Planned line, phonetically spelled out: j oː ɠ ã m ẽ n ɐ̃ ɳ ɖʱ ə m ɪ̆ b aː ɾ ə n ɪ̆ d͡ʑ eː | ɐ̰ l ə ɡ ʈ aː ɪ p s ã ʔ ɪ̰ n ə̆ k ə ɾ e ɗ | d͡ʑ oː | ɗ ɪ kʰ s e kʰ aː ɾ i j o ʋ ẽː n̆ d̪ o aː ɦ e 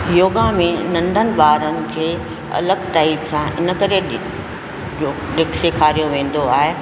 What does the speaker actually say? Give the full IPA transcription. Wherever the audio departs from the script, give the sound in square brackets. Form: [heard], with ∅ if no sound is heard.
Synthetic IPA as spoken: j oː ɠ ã m ẽ n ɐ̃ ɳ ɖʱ ə [n] ɪ̆ b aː ɾ ə n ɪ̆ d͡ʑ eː | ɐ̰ l ə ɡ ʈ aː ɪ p s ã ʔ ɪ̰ n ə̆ k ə ɾ e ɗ | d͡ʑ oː | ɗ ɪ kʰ s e kʰ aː ɾ i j o ʋ ẽː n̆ d̪ o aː ɦ e